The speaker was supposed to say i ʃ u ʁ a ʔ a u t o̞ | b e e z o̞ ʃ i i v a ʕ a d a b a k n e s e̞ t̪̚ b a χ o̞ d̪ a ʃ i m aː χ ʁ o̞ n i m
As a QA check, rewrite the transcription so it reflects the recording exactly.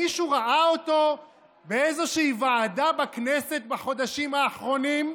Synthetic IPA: i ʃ u ʁ a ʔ a o t o̞ | b e e z o̞ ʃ i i v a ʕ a d a b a k n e s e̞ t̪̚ b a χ o̞ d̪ a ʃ i m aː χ ʁ o̞ n i m